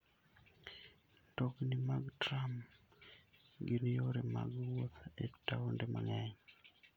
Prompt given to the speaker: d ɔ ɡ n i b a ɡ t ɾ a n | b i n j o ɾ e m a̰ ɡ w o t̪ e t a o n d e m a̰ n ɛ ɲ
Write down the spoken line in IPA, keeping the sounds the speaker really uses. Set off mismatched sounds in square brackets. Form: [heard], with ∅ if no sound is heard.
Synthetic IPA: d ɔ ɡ n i [m] a ɡ t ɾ a [m] | [ɡ] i n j o ɾ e m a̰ ɡ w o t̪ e t a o n d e m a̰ [ŋ] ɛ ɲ